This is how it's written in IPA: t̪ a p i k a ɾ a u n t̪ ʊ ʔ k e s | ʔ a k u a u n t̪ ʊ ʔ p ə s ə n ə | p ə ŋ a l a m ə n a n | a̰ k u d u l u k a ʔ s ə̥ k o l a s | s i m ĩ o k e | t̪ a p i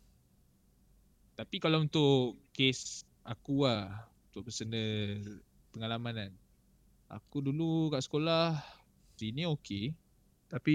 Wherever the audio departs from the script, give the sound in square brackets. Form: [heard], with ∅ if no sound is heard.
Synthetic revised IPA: t̪ a p i k a [l] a u n t̪ ʊ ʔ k e s | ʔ a k u a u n t̪ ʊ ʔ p ə s ə n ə | p ə ŋ a l a m [a] n a n | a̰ k u d u l u k a ʔ s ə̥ k o l a [h] | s i [n] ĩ o k e | t̪ a p i